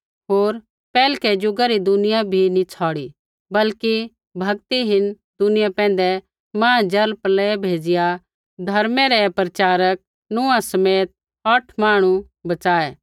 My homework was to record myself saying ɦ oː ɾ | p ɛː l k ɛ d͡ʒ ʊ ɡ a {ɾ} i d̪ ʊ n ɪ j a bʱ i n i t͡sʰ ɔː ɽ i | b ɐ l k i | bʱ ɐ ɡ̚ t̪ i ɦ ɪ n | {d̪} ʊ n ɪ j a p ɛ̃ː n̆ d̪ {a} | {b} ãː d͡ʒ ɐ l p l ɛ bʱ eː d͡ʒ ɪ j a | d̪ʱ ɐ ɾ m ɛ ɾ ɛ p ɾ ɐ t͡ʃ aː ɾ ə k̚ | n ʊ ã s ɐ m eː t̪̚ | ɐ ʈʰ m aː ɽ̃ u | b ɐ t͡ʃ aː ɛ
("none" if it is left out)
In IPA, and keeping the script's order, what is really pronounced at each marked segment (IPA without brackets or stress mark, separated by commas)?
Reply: ɾ, d̪, ɛ, m